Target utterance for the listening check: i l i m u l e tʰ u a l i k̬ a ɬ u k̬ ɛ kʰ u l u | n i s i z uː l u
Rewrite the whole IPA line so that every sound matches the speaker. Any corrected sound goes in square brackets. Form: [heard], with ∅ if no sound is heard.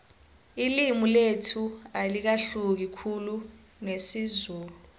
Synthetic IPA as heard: i l i m u l e tʰ u a l i k̬ a ɬ u k̬ [i] kʰ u l u | n [e] s i z uː l u